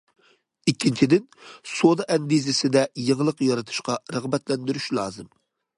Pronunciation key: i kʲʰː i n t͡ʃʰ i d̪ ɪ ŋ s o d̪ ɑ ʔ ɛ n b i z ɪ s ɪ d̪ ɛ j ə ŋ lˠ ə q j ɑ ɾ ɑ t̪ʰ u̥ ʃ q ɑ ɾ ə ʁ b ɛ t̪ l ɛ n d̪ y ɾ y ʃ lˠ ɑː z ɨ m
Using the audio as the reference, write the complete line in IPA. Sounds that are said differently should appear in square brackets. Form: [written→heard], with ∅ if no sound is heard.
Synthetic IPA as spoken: i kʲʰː i n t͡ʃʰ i d̪ ɪ [ŋ→n] s o d̪ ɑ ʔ ɛ n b i z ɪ s ɪ d̪ ɛ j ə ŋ lˠ ə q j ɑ ɾ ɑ t̪ʰ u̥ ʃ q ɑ ɾ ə ʁ b ɛ t̪ l ɛ n d̪ y ɾ y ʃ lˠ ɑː z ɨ m